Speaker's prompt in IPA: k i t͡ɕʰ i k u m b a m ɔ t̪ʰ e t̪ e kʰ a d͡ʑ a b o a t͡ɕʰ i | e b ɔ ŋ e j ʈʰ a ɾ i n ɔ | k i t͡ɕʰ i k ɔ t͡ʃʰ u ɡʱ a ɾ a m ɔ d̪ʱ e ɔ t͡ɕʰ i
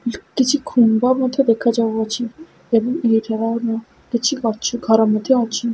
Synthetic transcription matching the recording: k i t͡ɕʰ i kʰ u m b a m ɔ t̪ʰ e d̪ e kʰ a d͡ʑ a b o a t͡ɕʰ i | e b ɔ ŋ e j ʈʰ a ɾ a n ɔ | k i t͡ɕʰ i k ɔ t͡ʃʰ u ɡʱ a ɾ a m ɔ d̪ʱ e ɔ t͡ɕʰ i